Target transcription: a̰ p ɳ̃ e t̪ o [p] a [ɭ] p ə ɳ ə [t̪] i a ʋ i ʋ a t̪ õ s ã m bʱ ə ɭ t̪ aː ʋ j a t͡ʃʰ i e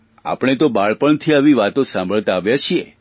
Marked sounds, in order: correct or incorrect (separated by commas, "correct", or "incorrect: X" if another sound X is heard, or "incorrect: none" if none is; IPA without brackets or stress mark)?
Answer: incorrect: b, correct, incorrect: t̪ʰ